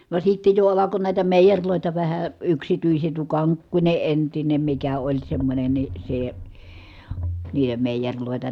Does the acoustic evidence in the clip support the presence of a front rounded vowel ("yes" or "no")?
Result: yes